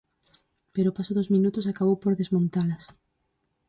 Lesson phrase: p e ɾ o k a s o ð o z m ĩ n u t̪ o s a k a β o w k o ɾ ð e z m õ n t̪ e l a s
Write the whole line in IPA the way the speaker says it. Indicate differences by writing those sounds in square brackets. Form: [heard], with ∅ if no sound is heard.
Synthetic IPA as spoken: p e ɾ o [p] a s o ð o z m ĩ n u t̪ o s a k a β o w [p] o ɾ ð e z m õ n t̪ [a] l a s